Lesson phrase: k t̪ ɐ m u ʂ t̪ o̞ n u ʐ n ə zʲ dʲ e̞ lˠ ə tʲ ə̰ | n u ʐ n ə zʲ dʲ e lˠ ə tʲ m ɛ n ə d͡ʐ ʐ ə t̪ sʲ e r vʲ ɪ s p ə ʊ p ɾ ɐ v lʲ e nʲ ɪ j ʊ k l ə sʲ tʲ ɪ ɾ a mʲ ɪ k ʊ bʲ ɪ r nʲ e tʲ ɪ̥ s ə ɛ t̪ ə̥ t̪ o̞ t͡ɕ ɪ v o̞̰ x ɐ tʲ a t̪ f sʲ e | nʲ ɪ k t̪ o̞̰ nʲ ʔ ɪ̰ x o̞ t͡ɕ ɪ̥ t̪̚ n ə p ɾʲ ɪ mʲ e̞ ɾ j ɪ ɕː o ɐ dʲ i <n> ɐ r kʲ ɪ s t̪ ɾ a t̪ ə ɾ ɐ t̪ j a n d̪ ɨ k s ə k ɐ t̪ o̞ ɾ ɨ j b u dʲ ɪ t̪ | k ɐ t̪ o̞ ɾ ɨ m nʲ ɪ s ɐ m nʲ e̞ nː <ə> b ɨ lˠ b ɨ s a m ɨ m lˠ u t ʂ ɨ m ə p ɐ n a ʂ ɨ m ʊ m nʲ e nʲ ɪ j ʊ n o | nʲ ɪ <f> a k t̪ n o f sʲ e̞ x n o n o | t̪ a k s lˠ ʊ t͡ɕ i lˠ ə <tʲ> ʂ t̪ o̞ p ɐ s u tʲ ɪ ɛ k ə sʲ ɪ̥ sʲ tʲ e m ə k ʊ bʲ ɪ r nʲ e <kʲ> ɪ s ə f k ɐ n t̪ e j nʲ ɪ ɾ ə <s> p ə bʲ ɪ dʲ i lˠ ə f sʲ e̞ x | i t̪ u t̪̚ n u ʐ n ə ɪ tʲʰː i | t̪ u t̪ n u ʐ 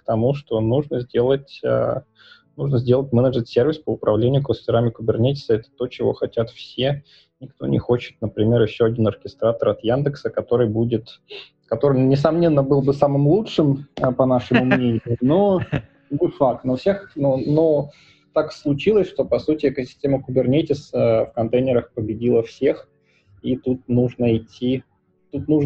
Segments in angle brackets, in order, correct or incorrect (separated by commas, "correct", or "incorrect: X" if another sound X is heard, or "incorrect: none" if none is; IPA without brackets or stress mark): correct, correct, correct, incorrect: sʲ, incorrect: tʲ, incorrect: x